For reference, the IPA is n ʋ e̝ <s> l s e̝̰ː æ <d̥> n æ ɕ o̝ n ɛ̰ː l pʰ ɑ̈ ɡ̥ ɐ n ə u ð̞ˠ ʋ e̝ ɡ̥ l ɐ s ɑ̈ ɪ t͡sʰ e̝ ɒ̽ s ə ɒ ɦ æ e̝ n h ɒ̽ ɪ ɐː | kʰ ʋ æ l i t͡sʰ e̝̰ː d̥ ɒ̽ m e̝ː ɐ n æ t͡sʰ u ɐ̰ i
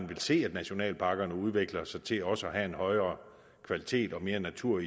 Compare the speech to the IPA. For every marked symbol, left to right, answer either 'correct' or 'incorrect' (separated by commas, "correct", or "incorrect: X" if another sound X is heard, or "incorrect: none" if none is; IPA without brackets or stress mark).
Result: incorrect: none, correct